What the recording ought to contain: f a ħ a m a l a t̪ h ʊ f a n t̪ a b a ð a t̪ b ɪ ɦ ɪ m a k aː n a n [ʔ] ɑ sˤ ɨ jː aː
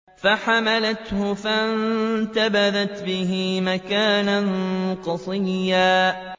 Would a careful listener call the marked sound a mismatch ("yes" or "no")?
yes